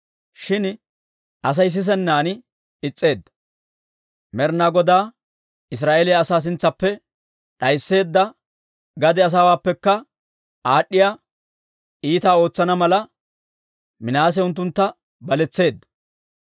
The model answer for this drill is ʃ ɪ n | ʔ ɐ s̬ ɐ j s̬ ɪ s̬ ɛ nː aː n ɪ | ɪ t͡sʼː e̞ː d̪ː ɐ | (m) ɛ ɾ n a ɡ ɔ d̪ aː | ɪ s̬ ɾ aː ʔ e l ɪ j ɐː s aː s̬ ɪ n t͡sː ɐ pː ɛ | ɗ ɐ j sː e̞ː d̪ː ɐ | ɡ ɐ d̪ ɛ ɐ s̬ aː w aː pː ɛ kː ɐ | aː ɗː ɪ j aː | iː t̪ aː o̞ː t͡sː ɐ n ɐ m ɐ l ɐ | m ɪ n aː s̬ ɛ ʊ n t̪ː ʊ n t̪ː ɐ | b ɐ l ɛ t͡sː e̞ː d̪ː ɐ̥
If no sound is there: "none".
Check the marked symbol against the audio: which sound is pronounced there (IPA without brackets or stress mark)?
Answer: m